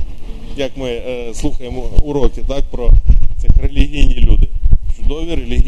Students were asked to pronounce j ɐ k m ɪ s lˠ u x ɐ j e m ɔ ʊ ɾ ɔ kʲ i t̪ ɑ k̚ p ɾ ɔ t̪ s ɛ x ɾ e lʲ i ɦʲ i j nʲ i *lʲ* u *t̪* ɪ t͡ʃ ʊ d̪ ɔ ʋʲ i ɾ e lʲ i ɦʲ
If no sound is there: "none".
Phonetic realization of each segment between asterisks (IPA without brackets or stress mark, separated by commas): lʲ, d̪